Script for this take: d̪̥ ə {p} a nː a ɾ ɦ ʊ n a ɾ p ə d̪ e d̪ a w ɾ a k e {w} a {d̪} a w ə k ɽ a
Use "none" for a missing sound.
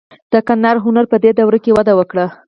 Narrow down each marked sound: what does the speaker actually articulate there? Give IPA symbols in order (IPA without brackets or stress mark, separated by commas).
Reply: k, w, d̪